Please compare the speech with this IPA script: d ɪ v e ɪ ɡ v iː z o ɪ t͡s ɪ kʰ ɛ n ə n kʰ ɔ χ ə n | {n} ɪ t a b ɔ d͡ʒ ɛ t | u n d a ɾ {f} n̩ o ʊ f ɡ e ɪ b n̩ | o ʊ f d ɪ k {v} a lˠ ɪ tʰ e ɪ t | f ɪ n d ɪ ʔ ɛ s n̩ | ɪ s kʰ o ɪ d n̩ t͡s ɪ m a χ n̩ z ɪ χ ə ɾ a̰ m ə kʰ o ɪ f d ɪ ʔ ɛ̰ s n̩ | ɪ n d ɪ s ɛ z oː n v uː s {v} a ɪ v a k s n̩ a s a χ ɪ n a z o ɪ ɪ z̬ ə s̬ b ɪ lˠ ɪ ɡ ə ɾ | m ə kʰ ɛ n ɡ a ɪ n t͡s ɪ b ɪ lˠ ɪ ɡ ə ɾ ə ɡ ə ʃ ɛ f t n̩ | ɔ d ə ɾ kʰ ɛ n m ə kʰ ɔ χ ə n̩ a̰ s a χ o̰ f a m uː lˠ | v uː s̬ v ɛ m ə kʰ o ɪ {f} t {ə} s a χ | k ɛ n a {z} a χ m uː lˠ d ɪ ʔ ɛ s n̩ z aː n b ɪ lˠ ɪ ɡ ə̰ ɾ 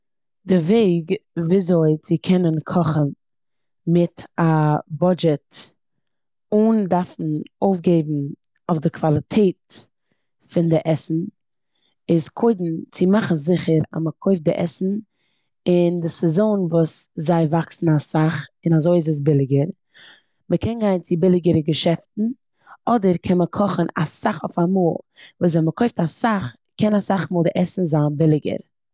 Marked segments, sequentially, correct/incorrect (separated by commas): incorrect, correct, correct, incorrect, correct, incorrect, incorrect